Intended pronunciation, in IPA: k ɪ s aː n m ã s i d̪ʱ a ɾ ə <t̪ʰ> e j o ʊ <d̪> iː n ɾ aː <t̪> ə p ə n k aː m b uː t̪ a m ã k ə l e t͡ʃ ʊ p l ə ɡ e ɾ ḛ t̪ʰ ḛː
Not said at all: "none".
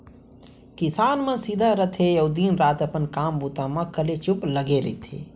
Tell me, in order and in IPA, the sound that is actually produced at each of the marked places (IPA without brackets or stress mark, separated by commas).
t̪ʰ, d̪, t̪